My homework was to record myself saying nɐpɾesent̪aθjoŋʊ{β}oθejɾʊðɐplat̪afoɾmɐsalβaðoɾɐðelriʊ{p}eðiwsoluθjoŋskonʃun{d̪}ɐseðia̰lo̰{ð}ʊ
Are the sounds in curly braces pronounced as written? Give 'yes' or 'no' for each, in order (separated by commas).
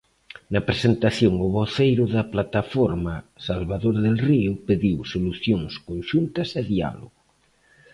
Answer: yes, yes, no, no